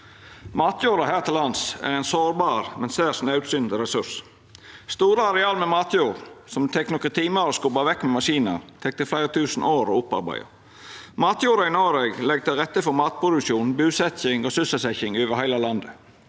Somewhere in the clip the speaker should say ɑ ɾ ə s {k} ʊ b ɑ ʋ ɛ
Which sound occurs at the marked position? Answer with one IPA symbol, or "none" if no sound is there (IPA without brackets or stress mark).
k